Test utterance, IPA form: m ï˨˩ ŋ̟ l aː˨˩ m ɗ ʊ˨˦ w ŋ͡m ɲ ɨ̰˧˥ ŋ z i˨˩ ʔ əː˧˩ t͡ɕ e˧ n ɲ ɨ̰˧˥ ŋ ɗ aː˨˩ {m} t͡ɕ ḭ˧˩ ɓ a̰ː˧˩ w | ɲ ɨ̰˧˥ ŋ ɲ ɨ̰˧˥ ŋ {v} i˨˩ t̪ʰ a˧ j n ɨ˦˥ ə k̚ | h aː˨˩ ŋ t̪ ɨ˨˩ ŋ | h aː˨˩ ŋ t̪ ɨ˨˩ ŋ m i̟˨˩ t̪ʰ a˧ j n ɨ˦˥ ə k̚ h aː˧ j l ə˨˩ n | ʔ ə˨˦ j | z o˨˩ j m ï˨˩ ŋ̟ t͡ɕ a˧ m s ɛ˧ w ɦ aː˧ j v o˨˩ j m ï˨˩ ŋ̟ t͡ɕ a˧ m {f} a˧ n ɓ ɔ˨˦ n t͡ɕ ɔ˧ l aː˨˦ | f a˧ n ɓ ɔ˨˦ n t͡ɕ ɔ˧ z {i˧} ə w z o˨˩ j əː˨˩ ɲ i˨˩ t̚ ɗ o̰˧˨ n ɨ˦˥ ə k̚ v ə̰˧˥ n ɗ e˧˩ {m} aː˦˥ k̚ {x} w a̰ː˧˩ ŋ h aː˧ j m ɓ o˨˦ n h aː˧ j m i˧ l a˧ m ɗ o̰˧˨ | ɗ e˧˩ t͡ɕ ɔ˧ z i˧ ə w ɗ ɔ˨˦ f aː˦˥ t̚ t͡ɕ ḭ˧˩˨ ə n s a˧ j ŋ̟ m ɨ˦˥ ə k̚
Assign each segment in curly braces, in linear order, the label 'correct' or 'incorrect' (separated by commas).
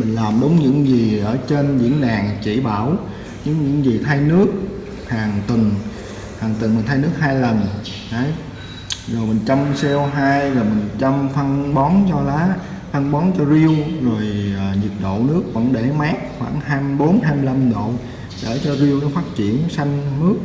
incorrect, incorrect, correct, correct, correct, correct